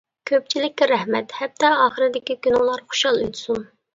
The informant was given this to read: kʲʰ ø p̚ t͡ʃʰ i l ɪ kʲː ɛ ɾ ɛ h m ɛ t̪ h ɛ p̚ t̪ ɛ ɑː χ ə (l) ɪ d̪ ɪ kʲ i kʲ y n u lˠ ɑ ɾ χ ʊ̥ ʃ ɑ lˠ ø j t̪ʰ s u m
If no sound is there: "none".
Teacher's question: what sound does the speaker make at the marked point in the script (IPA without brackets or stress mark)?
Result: ɾ